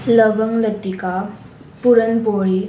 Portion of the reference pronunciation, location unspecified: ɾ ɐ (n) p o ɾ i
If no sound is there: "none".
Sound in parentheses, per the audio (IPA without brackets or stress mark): n